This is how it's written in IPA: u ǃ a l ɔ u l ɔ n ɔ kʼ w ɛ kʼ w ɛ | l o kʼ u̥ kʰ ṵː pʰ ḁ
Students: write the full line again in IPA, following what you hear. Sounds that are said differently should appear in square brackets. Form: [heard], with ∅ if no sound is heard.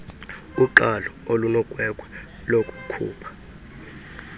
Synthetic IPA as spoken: u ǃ a l ɔ [o] l [u] n ɔ kʼ w ɛ kʼ w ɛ | l o kʼ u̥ kʰ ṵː pʰ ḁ